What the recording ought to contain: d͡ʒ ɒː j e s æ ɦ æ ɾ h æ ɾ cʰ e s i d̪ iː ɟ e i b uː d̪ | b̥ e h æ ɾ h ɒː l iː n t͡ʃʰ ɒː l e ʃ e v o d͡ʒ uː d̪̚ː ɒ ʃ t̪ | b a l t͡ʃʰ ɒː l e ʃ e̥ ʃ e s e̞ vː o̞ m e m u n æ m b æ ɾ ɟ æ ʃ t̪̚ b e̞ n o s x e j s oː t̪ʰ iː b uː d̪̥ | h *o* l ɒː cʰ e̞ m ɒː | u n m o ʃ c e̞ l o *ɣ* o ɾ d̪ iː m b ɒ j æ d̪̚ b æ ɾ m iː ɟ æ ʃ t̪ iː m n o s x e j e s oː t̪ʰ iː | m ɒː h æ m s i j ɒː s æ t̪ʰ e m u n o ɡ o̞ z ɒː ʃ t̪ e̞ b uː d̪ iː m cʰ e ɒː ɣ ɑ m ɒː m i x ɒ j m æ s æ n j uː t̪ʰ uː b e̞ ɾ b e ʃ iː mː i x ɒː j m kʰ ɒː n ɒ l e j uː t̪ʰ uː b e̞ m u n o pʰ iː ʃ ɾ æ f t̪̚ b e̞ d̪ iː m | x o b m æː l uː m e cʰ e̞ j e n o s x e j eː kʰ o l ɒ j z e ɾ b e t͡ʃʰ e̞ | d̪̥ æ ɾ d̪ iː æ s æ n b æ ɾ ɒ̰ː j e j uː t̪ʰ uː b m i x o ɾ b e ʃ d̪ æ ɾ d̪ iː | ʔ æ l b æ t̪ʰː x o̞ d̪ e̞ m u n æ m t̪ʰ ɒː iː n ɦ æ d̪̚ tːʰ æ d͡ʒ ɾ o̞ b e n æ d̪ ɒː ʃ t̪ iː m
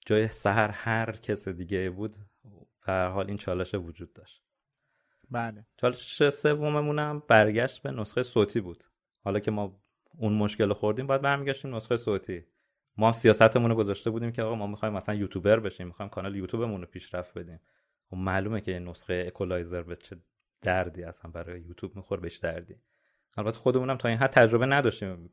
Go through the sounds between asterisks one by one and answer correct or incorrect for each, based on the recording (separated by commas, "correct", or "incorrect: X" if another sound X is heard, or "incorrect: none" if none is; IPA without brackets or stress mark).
incorrect: ɒ, incorrect: x